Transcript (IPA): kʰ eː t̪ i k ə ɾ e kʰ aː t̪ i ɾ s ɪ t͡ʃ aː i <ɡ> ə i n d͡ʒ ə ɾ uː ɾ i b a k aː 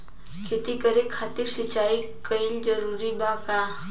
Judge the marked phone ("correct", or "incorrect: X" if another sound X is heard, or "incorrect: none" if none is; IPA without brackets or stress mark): incorrect: k